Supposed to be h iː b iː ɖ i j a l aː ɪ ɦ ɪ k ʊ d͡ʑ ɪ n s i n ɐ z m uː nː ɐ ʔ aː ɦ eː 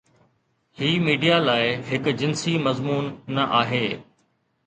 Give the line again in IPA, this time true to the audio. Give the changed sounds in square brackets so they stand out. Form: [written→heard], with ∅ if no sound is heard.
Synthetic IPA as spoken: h iː [b→m] iː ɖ i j a l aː ɪ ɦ ɪ k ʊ d͡ʑ ɪ n s i [n→m] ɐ z m uː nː ɐ ʔ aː ɦ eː